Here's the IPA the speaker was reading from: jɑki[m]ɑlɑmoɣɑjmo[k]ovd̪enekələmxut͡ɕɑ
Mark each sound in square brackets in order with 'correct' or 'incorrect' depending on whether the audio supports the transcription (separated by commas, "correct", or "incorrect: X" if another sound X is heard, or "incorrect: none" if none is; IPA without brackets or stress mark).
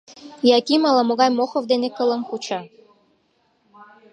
correct, incorrect: x